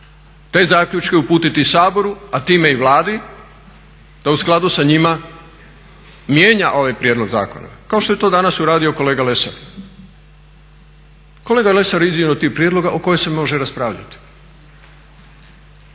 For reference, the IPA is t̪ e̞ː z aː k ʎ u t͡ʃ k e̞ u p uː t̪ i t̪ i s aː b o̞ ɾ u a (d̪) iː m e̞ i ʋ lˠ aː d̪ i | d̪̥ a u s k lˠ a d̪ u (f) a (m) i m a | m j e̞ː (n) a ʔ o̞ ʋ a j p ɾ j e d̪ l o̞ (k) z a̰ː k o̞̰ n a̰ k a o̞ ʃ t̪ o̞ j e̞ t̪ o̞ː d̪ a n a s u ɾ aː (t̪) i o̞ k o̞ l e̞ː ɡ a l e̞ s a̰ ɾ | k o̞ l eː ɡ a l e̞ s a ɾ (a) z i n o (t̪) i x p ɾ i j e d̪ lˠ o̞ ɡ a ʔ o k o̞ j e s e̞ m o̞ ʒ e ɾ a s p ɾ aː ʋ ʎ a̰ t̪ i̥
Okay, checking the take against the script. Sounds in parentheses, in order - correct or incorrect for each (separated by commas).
incorrect, incorrect, incorrect, incorrect, incorrect, incorrect, incorrect, correct